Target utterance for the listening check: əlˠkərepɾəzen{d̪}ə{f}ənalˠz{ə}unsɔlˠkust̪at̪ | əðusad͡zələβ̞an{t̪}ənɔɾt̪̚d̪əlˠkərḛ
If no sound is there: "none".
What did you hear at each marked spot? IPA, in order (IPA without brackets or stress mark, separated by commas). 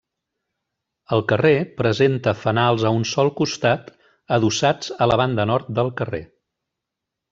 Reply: t̪, f, ə, d̪